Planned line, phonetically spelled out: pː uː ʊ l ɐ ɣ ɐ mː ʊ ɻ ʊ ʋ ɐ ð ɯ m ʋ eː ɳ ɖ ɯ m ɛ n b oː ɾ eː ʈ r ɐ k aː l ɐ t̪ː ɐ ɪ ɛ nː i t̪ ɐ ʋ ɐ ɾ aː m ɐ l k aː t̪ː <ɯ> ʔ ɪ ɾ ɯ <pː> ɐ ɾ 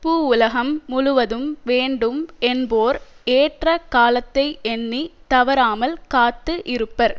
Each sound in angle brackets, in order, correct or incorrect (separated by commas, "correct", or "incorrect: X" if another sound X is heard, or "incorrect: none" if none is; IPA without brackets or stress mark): correct, correct